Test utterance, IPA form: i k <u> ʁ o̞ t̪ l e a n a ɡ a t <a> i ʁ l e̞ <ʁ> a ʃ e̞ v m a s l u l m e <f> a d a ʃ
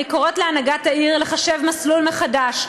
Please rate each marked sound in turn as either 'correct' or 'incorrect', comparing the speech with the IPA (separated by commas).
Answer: incorrect, correct, incorrect, incorrect